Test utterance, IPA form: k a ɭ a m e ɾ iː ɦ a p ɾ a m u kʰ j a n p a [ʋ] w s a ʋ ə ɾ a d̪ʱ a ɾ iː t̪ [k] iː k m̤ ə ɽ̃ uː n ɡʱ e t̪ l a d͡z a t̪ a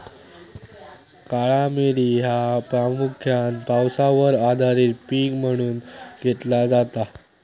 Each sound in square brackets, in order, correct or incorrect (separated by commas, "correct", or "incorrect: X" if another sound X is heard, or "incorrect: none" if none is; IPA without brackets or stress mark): incorrect: none, incorrect: p